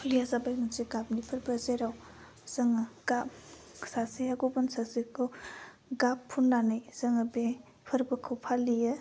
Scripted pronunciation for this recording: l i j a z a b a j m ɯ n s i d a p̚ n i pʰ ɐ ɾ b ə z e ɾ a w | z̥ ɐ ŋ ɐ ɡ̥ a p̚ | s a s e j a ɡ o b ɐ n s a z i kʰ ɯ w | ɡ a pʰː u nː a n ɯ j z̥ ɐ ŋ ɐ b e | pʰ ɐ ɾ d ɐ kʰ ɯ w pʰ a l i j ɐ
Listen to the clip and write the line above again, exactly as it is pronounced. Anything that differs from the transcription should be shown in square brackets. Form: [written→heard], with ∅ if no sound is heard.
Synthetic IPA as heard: l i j a z a b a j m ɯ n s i [d→ɡ] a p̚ n i pʰ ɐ ɾ b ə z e ɾ a w | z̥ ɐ ŋ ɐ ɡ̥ a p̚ | s a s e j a ɡ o b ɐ n s a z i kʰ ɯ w | ɡ a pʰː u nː a n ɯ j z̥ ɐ ŋ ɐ b e | pʰ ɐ ɾ [d→b] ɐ kʰ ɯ w pʰ a l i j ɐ